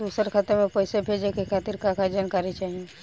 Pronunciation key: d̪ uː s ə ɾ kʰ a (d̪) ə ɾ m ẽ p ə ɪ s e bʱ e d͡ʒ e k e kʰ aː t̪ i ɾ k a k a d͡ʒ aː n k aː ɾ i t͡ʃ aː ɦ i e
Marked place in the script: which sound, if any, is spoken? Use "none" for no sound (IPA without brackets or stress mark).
t̪